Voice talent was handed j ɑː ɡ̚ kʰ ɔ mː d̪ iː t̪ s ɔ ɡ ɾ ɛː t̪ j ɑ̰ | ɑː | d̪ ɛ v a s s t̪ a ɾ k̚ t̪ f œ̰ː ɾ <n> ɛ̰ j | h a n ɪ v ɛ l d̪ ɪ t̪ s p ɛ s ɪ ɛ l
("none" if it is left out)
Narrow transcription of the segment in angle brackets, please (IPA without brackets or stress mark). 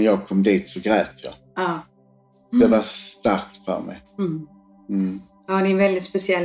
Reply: m